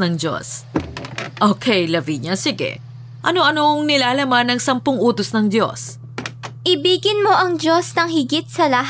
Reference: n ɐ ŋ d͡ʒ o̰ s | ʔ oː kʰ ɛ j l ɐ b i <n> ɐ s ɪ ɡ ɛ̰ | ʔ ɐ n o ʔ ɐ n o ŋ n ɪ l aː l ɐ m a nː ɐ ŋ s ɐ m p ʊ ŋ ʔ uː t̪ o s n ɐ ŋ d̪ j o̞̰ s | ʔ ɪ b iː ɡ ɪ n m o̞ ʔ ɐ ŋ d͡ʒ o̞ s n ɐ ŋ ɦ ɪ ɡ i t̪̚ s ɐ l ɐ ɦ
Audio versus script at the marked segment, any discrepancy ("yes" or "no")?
yes